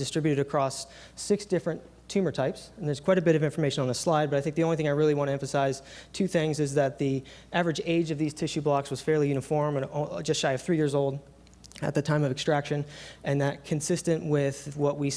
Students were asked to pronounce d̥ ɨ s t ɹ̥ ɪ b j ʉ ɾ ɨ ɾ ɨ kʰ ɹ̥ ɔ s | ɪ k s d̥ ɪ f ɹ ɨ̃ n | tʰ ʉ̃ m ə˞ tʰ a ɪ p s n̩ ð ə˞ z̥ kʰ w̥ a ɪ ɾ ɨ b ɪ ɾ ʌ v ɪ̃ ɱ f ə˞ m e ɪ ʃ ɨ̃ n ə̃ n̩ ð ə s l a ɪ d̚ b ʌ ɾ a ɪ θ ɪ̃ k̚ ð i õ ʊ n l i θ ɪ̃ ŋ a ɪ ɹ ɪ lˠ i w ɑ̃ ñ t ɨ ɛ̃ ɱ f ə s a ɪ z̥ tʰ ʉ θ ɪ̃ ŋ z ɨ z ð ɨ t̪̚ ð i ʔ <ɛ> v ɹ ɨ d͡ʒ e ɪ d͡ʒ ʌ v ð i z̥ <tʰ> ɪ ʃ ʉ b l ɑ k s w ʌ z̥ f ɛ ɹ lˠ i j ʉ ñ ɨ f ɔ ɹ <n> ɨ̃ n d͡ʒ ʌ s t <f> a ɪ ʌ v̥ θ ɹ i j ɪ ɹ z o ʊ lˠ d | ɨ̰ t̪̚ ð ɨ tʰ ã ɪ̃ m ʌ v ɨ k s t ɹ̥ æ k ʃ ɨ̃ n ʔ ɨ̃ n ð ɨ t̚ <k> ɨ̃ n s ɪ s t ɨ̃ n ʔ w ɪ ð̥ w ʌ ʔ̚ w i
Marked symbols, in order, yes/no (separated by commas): no, yes, no, no, no